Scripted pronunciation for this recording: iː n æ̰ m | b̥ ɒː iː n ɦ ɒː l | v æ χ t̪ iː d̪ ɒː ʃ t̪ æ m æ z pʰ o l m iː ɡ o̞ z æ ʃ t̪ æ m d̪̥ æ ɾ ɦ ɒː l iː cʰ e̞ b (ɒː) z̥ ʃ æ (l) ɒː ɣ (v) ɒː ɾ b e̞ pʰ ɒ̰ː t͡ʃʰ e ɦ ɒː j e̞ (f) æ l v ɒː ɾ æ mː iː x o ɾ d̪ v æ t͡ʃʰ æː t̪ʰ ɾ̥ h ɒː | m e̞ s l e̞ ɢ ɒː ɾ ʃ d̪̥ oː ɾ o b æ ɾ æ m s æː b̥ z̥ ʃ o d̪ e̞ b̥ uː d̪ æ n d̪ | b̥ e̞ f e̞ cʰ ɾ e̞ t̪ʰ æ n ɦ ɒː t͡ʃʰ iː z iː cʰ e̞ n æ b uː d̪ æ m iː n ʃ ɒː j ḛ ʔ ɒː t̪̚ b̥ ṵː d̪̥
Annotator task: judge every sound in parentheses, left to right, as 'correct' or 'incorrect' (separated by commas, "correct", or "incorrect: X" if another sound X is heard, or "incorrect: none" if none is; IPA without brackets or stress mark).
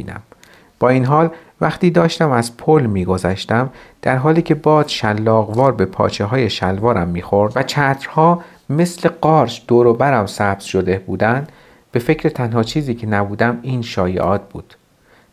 correct, incorrect: lː, correct, incorrect: ʃ